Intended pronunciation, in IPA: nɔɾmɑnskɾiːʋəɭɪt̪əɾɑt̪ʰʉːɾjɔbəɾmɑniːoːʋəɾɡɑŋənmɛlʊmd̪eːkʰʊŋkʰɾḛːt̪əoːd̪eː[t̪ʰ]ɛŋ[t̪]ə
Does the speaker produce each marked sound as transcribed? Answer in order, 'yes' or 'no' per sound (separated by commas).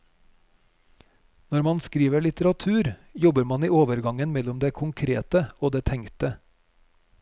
yes, yes